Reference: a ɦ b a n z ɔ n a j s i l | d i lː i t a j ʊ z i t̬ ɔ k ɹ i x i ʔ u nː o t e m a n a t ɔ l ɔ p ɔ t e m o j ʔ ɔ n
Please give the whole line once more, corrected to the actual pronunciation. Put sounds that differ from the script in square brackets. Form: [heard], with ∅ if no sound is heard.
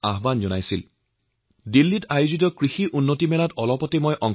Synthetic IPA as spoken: a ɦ b a n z ɔ n a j s i l | d i lː i t a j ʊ z i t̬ ɔ k ɹ i x i ʔ u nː o t [i] m [ɛ] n a t ɔ l ɔ p ɔ t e m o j ʔ ɔ [ŋ]